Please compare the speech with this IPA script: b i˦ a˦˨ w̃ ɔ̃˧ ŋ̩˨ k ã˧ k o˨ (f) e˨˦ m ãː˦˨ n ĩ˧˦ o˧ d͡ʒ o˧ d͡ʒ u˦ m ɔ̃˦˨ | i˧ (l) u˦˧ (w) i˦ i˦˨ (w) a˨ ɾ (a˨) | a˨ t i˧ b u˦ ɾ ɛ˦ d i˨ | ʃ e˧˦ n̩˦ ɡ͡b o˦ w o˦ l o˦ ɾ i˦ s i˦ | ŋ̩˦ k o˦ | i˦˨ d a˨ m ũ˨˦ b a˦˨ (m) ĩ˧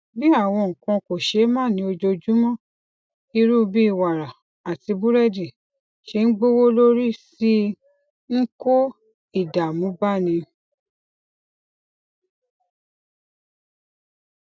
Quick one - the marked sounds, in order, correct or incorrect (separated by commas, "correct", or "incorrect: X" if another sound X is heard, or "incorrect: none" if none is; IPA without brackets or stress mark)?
incorrect: ʃ, incorrect: ɾ, incorrect: b, correct, correct, incorrect: n